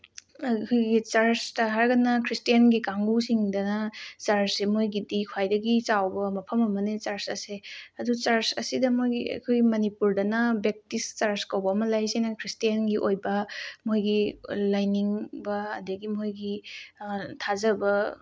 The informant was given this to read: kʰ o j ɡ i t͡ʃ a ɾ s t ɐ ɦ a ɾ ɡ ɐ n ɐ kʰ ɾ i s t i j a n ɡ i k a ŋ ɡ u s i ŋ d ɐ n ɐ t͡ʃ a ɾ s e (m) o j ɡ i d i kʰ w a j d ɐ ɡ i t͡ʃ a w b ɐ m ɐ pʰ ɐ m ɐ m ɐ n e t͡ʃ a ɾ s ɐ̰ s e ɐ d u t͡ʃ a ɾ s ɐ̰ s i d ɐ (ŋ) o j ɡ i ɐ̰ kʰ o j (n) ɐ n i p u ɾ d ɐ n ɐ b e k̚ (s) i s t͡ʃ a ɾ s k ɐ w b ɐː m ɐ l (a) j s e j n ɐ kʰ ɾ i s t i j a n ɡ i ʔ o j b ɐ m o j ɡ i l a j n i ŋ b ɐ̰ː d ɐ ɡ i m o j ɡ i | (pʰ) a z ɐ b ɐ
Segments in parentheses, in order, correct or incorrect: correct, incorrect, incorrect, incorrect, correct, incorrect

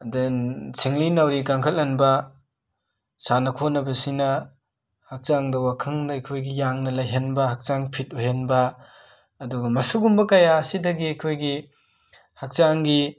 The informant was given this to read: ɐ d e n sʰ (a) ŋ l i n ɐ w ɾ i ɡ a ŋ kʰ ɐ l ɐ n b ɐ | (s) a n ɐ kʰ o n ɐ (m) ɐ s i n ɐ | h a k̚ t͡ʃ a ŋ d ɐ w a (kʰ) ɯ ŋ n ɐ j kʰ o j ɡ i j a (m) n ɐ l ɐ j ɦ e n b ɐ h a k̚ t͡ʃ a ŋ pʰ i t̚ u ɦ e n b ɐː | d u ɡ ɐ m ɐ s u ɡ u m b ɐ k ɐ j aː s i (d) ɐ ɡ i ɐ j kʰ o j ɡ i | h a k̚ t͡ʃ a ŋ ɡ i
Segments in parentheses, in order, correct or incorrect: incorrect, correct, incorrect, correct, incorrect, correct

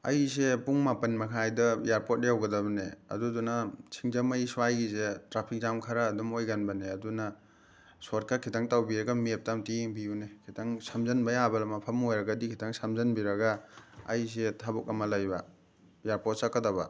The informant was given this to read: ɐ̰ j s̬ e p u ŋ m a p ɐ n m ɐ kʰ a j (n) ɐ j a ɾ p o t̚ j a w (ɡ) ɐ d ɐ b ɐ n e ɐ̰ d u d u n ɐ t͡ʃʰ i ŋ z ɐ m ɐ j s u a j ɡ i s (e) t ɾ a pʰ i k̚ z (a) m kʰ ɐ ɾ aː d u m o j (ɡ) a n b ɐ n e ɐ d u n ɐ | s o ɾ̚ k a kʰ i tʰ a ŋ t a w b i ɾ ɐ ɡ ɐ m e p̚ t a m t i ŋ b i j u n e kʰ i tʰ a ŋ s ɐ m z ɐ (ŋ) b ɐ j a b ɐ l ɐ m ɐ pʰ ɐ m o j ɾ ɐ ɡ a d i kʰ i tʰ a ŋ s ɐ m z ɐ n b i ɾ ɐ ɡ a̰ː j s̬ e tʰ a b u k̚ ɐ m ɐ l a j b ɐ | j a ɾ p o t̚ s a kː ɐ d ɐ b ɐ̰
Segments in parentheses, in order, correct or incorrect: incorrect, correct, correct, correct, correct, incorrect

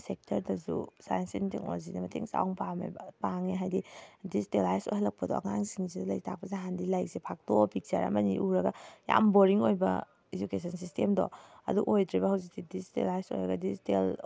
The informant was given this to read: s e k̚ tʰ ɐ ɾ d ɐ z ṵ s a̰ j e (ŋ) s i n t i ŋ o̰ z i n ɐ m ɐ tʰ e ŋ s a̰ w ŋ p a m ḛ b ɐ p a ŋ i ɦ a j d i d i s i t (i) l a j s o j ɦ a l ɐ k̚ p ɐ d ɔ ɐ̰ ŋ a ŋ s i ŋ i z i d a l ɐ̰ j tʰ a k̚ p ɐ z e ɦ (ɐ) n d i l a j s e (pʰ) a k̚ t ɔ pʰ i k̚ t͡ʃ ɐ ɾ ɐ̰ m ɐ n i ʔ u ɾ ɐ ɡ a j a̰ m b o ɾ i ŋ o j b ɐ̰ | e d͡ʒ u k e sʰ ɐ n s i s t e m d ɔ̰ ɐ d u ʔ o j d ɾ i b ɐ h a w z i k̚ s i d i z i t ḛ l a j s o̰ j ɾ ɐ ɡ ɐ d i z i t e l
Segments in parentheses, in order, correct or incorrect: incorrect, incorrect, incorrect, correct

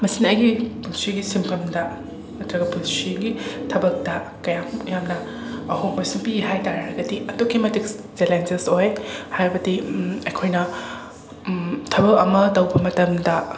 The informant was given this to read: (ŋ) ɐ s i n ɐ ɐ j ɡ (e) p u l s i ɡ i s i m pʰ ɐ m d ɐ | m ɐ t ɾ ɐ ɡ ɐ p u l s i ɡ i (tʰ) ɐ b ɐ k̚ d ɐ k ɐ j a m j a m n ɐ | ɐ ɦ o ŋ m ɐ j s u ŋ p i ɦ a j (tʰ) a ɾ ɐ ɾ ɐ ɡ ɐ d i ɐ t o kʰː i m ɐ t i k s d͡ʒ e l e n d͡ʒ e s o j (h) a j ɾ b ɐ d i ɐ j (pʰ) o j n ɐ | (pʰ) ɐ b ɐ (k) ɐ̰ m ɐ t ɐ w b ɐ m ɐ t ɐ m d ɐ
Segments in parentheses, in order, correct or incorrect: incorrect, incorrect, correct, incorrect, correct, incorrect, incorrect, correct

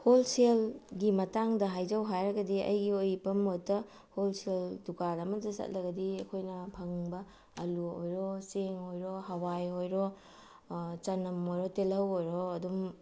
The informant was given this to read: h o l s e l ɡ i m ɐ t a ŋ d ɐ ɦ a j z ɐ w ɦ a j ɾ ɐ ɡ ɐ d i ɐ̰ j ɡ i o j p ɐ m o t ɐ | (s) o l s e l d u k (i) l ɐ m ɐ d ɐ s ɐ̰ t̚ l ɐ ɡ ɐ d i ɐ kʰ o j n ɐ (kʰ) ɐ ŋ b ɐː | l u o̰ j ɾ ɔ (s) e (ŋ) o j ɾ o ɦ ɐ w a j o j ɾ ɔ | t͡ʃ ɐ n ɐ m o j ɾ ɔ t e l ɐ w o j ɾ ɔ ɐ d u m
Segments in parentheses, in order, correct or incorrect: incorrect, incorrect, incorrect, correct, correct

